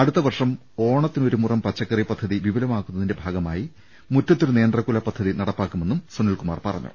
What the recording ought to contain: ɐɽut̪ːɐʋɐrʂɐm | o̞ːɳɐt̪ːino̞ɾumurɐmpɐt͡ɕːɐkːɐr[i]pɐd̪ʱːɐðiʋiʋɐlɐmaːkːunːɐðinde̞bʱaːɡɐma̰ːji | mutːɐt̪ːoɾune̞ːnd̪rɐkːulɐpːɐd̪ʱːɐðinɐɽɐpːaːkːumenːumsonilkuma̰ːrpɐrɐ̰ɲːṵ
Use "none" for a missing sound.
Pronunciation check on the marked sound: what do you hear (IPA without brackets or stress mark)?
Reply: i